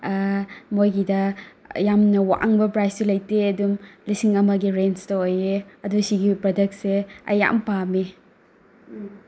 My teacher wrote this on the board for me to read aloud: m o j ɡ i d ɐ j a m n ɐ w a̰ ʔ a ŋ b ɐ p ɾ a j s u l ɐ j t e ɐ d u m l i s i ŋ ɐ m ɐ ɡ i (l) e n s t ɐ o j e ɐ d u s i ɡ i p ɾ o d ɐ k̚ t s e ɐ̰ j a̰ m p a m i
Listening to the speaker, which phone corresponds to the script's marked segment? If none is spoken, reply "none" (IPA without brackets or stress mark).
ɾ